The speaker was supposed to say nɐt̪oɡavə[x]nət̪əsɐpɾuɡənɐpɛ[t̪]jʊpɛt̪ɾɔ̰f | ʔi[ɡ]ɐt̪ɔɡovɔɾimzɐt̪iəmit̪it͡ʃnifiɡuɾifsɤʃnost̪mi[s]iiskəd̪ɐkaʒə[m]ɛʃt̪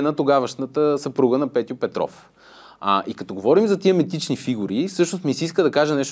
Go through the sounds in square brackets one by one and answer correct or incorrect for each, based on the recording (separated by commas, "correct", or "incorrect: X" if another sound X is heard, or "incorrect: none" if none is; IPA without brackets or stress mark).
incorrect: ʃ, correct, incorrect: k, correct, incorrect: n